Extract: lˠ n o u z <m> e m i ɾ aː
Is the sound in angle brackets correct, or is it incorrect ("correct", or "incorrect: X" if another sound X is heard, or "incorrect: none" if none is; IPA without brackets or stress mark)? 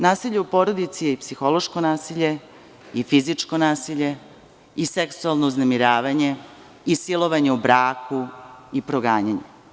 incorrect: n